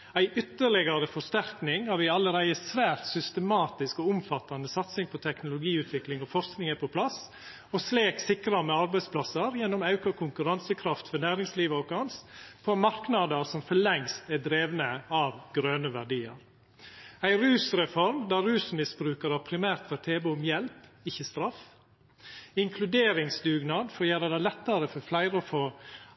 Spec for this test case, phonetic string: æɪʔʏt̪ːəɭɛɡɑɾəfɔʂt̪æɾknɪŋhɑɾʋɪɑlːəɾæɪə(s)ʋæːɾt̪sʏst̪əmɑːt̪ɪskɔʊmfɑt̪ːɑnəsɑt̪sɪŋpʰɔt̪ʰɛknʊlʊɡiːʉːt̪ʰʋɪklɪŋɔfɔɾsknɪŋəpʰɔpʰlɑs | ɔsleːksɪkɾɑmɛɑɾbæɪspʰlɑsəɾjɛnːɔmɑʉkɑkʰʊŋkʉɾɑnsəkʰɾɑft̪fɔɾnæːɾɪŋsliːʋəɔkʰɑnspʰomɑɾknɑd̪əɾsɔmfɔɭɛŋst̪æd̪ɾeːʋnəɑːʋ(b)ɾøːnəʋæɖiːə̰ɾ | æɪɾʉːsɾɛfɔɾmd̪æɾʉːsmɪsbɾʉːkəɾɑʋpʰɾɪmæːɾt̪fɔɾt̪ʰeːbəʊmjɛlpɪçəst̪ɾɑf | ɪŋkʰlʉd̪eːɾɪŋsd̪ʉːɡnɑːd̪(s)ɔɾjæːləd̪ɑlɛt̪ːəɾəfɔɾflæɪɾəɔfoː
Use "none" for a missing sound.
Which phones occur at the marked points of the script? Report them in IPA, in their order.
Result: s, ɡ, f

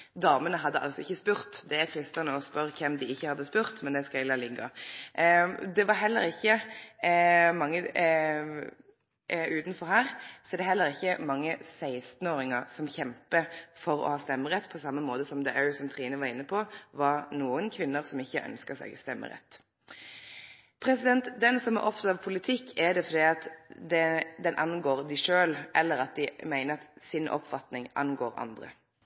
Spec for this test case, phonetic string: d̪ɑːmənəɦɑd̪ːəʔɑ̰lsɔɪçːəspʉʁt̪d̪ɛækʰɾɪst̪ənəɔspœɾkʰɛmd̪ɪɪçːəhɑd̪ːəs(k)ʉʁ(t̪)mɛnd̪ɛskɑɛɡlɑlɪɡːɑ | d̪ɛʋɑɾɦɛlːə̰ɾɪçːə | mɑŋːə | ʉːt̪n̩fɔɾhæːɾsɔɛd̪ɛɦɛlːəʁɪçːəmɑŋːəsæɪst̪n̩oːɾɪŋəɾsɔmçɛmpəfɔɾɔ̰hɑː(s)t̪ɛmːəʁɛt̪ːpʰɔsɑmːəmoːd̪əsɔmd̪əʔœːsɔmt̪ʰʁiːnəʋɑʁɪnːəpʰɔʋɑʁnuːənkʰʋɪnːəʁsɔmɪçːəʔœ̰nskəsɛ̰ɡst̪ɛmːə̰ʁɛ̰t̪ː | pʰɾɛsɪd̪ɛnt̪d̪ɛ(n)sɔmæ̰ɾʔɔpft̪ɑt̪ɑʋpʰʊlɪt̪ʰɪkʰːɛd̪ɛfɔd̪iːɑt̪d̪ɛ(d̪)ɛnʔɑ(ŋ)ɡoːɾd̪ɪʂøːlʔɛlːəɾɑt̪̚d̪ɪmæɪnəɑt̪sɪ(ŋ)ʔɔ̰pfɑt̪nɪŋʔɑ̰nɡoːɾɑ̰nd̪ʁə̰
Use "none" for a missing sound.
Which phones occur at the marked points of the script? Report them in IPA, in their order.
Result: p, t̪, s, n, d̪, n, n

